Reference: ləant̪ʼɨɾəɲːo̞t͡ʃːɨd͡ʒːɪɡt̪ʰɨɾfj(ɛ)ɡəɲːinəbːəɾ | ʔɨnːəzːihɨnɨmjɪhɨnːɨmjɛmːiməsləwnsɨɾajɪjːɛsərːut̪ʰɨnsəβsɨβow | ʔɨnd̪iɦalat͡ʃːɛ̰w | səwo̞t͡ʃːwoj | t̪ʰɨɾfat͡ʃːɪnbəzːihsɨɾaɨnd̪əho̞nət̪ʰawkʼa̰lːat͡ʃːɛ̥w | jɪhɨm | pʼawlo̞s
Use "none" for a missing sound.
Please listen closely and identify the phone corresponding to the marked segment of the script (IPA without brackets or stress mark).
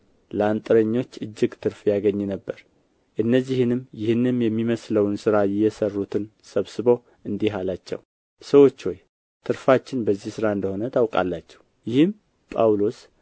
a